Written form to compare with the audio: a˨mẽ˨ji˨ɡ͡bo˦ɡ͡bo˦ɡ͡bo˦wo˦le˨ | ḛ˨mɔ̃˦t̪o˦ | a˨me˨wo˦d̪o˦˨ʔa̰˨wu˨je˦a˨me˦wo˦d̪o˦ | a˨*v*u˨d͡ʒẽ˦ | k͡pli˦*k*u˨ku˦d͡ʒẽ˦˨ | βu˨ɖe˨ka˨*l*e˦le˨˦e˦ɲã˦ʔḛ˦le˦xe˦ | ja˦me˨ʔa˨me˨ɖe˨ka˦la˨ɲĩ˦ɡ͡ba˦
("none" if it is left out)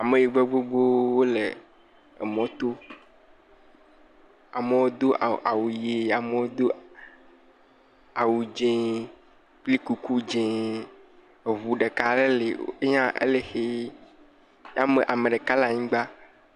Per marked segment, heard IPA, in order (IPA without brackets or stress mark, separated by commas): w, k, l